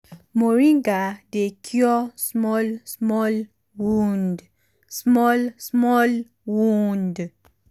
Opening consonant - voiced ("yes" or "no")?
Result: yes